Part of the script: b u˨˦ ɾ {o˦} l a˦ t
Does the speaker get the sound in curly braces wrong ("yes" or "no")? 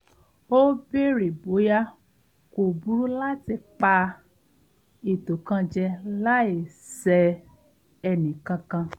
yes